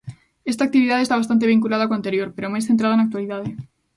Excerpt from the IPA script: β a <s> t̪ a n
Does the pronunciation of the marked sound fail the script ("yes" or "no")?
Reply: no